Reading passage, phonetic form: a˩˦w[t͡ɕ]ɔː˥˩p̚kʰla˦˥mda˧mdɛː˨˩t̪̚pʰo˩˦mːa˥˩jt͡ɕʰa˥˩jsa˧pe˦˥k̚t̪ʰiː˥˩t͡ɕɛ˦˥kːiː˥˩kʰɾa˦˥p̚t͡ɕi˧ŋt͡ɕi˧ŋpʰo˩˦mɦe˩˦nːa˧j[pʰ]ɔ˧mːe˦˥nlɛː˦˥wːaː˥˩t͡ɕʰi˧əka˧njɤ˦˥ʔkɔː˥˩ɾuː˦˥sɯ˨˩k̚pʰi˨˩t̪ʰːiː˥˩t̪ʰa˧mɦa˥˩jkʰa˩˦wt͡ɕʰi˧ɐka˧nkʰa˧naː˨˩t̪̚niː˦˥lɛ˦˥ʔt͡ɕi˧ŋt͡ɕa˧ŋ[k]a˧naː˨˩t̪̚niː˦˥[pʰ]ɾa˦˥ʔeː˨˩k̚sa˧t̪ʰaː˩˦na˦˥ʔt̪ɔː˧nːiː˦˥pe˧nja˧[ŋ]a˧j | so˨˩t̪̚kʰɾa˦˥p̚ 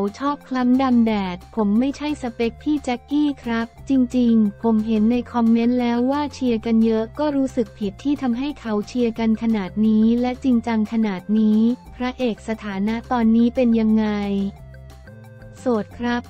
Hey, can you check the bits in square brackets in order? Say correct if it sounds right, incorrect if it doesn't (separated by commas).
incorrect, incorrect, incorrect, correct, incorrect